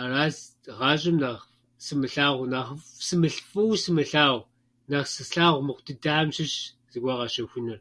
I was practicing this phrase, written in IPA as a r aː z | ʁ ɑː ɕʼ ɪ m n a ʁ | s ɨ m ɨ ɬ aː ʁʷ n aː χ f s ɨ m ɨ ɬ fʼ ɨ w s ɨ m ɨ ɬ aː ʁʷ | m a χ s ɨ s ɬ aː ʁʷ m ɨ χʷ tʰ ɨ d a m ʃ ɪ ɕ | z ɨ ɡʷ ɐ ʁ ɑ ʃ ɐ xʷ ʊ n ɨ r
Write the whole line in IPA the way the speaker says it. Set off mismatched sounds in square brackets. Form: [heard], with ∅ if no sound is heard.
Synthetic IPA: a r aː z | ʁ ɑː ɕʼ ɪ m n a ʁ | s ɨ m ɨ ɬ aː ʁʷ n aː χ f s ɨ m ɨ ɬ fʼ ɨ w s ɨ m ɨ ɬ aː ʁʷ | [n] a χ s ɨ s ɬ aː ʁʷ m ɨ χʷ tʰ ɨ d a m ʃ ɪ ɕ | z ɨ ɡʷ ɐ ʁ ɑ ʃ ɐ xʷ ʊ n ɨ r